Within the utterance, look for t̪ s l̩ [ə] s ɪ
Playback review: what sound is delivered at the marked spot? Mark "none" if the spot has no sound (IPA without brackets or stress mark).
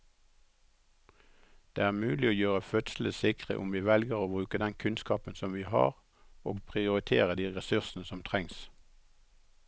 ə